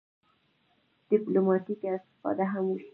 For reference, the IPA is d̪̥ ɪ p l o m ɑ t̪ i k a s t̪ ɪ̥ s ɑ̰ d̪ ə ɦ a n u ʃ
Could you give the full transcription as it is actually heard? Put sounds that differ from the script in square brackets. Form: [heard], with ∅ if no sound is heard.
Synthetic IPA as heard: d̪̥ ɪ p l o m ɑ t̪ i k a s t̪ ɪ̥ [f] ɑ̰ d̪ [a] ɦ a [m] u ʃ